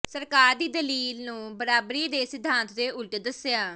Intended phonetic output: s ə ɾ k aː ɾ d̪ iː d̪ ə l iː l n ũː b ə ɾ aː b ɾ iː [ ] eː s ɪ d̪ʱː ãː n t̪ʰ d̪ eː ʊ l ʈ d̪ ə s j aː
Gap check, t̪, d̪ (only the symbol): d̪